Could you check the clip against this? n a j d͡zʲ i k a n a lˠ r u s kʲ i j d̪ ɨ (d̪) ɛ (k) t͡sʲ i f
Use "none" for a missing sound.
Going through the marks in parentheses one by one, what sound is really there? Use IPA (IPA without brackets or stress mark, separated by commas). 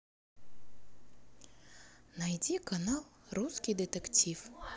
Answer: t̪, k